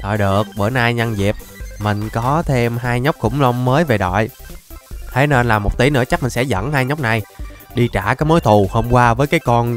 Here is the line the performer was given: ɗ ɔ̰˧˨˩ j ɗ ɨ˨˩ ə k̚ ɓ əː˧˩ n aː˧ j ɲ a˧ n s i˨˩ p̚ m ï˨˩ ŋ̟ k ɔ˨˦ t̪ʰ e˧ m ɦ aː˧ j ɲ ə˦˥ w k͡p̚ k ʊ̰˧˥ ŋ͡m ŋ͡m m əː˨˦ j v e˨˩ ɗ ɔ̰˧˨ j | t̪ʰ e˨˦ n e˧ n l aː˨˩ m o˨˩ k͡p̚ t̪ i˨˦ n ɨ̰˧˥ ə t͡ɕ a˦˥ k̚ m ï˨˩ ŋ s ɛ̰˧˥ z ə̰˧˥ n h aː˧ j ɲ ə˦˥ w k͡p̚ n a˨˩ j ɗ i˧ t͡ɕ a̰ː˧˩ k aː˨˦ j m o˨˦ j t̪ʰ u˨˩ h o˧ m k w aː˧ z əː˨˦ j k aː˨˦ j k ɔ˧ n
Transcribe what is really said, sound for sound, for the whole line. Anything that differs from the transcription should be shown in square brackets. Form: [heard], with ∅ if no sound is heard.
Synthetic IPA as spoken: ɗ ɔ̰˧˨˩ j ɗ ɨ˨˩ ə k̚ ɓ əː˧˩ n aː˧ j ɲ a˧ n [z] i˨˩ p̚ m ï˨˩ ŋ̟ k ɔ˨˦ t̪ʰ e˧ m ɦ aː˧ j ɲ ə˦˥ w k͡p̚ k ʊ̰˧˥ ŋ͡m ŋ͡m m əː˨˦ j v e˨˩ ɗ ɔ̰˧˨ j | t̪ʰ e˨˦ n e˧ n l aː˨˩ m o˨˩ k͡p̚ t̪ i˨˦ n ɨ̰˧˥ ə t͡ɕ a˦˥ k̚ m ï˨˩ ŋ s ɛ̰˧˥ z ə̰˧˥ n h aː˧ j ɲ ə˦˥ w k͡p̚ n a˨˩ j ɗ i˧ t͡ɕ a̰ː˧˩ k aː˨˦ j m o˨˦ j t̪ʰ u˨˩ h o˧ m k w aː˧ [v] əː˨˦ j k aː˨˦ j k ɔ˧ n